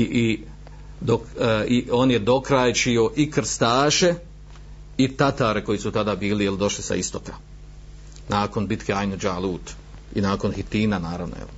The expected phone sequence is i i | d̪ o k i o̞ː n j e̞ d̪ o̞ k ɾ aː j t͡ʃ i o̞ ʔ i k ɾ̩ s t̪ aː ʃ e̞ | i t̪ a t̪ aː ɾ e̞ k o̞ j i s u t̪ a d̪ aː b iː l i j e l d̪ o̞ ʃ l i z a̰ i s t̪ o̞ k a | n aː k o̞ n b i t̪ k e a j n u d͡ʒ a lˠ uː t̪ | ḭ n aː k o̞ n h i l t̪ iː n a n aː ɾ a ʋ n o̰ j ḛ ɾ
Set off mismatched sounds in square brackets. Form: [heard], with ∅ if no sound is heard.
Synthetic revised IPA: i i | d̪ o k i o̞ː n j e̞ d̪ o̞ k ɾ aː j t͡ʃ i o̞ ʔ i k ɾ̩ s t̪ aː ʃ e̞ | i t̪ a t̪ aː ɾ e̞ k o̞ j i s u t̪ a d̪ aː b iː l i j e l d̪ o̞ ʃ l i [s] a̰ i s t̪ o̞ k a | n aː k o̞ n b i t̪ k e a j n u d͡ʒ a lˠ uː t̪ | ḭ n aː k o̞ n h i [∅] t̪ iː n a n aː ɾ a ʋ n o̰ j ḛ [l]